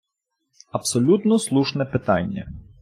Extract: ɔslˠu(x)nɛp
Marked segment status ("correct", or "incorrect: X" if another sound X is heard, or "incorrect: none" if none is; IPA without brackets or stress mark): incorrect: ʃ